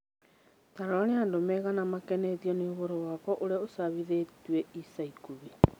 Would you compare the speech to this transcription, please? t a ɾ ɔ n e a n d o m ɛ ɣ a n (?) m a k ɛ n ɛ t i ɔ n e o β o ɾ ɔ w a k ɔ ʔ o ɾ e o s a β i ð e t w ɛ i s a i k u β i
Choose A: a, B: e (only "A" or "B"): A